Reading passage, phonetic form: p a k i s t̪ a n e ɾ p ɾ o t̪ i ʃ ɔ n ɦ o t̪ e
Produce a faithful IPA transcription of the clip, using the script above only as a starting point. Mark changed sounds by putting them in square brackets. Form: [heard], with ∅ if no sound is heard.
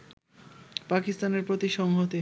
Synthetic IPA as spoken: p a k i s t̪ a n e ɾ p ɾ o t̪ i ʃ ɔ [ŋ] ɦ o t̪ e